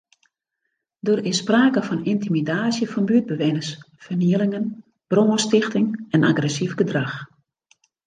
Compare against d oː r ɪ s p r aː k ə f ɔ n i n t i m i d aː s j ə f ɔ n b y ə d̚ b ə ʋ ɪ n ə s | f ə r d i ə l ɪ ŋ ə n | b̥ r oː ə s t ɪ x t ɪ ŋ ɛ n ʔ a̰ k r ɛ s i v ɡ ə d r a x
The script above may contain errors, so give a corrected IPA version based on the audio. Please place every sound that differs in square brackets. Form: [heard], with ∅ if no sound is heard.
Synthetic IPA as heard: d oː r ɪ s p r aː k ə f ɔ n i n t i m i d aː s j ə f ɔ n b y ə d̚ b ə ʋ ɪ n ə s | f ə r [n] i ə l ɪ ŋ ə n | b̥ r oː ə s t ɪ x t ɪ ŋ ɛ n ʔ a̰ [ɡ] r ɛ s i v ɡ ə d r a x